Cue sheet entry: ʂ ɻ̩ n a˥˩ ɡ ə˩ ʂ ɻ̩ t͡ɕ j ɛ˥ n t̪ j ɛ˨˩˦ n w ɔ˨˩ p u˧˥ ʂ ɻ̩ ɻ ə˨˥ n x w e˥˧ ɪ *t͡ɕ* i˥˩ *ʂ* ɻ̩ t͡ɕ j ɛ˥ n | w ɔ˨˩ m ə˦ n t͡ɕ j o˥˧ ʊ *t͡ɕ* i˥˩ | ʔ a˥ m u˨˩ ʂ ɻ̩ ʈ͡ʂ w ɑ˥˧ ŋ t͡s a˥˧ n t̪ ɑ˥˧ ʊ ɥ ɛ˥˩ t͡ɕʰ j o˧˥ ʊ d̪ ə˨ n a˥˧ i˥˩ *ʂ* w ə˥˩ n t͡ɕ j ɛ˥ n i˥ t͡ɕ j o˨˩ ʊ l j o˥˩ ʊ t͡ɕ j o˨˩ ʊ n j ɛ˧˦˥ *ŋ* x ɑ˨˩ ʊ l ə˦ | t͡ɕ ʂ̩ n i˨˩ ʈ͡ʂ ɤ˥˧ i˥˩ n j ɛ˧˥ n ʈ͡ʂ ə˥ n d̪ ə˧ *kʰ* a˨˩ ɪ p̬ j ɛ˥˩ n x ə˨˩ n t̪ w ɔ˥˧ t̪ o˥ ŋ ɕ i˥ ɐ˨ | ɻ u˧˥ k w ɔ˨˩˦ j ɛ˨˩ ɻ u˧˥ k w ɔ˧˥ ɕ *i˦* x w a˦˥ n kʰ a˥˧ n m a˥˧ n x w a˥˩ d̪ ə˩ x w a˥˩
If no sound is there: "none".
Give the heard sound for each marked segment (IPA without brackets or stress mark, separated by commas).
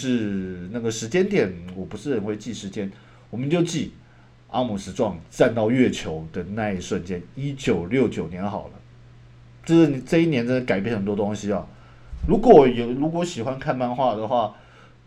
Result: t͡ɕ, ʂ, t͡ɕ, ʂ, n, k, i˨˩